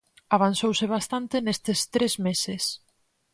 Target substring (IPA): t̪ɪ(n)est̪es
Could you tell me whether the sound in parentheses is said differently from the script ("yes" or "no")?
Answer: no